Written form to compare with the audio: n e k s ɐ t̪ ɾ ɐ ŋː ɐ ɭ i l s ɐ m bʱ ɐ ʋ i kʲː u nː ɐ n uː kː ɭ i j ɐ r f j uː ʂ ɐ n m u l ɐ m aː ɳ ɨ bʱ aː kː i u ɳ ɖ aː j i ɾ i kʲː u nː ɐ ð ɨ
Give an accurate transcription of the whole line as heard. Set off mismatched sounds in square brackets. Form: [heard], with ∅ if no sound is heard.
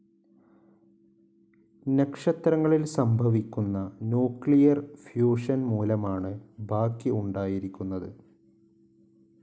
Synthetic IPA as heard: n e k [ʂ] ɐ t̪ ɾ ɐ ŋː ɐ ɭ i l s ɐ m bʱ ɐ ʋ i kʲː u nː ɐ n uː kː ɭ i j ɐ r f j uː ʂ ɐ n m [uː] l ɐ m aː ɳ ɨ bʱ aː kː i u ɳ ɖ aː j i ɾ i kʲː u nː ɐ ð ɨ